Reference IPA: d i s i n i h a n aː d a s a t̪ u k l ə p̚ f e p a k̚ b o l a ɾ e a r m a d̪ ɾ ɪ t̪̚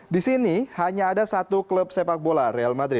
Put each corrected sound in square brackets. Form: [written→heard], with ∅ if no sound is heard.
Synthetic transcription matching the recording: d i s i n i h a [n→ɲ] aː d a s a t̪ u k l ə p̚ [f→s] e p a k̚ b o l a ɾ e a [r→l] m a d̪ ɾ ɪ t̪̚